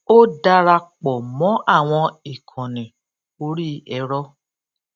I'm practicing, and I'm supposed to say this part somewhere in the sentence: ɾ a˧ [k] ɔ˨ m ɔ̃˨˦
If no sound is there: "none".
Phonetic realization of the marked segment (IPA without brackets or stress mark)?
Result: k͡p